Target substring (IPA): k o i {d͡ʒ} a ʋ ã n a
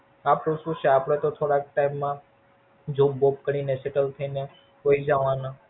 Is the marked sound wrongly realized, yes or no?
no